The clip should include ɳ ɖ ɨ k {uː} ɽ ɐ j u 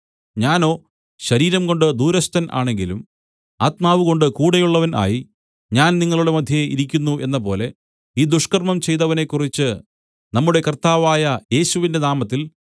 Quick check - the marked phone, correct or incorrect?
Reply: correct